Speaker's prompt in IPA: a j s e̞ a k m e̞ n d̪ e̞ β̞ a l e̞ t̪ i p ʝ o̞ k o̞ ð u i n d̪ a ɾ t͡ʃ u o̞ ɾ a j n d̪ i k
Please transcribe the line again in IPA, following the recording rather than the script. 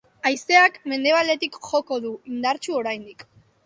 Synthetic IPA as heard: a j s e̞ a k m e̞ n d̪ e̞ β̞ a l e̞ t̪ i k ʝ o̞ k o̞ ð u i n d̪ a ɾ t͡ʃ u o̞ ɾ a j n d̪ i k